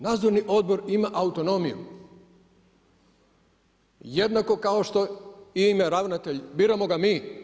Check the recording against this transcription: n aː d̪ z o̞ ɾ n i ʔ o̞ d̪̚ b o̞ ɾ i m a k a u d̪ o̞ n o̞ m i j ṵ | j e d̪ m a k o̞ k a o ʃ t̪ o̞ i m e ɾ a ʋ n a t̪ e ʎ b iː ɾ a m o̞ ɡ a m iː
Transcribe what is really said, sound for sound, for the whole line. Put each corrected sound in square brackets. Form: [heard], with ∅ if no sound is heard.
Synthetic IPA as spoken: n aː d̪ z o̞ ɾ n i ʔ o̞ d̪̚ b o̞ ɾ i m a [ʔ] a u [t̪] o̞ n o̞ m i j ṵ | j e d̪ [n] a k o̞ k a o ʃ t̪ o̞ i m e ɾ a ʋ n a t̪ e ʎ b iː ɾ a m o̞ ɡ a m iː